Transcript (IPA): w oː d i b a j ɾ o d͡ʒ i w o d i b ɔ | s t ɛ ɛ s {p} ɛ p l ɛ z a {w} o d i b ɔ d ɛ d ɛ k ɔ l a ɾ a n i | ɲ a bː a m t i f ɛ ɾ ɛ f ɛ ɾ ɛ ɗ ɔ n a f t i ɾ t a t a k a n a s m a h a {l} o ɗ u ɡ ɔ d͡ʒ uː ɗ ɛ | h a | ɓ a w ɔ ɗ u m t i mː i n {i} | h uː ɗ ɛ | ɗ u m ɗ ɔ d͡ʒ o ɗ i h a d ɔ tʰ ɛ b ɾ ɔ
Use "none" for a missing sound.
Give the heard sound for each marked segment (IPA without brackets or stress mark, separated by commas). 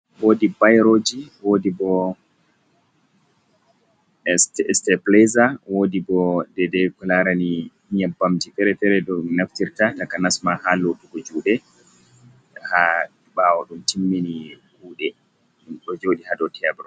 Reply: t, w, l, i